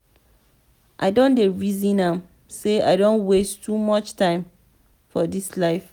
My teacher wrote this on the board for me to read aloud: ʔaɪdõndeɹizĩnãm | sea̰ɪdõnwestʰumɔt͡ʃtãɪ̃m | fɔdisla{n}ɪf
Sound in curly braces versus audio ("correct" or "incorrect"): incorrect